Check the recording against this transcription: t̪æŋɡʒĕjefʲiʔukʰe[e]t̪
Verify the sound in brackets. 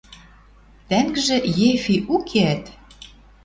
incorrect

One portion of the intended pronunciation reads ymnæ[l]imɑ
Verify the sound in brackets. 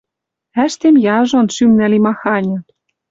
correct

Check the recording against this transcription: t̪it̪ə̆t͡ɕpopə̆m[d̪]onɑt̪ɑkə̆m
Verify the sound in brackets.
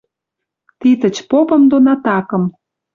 correct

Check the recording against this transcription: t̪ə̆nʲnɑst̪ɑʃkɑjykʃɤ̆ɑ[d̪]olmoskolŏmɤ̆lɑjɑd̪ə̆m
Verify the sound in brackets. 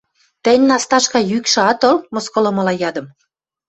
incorrect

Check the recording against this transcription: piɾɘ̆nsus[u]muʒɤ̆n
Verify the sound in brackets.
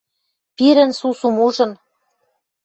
correct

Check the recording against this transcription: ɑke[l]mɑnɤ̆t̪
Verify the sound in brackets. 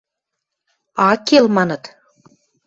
correct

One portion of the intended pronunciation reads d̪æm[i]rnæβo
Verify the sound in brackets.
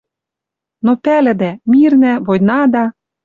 correct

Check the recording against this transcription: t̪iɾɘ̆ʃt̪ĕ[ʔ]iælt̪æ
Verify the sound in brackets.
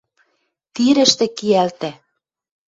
incorrect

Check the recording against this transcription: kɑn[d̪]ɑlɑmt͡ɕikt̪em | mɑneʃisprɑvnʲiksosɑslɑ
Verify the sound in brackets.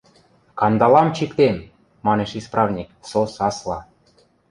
correct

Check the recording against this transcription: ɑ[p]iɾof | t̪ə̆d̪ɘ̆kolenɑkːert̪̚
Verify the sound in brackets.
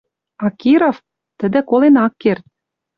incorrect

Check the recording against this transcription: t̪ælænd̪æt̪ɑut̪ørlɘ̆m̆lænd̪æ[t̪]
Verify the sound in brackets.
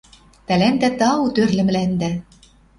incorrect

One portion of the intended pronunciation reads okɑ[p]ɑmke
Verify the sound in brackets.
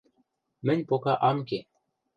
incorrect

